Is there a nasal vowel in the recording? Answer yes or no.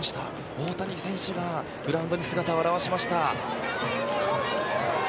yes